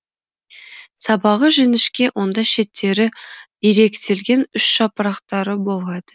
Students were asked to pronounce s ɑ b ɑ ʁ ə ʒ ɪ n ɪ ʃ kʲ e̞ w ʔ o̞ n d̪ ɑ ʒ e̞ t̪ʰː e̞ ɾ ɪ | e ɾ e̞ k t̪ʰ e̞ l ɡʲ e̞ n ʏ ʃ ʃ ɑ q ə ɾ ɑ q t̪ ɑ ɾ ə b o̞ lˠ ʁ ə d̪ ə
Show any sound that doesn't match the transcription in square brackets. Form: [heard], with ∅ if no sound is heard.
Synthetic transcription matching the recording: s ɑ b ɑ ʁ ə ʒ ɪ n ɪ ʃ kʲ e̞ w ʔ o̞ n d̪ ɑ [ʃ] e̞ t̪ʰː e̞ ɾ ɪ | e ɾ e̞ k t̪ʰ e̞ l ɡʲ e̞ n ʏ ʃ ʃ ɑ [p] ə ɾ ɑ q t̪ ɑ ɾ ə b o̞ lˠ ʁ [ɑ] d̪ ə